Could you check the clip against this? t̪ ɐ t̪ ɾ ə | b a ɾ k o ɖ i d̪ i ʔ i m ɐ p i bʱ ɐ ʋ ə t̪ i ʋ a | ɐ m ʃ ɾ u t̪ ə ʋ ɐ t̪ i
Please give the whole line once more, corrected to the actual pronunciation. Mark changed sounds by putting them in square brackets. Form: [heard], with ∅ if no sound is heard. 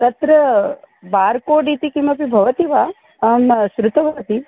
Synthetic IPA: t̪ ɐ t̪ ɾ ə | b a ɾ k o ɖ i [t̪] i [k] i m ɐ p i bʱ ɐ ʋ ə t̪ i ʋ a | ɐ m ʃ ɾ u t̪ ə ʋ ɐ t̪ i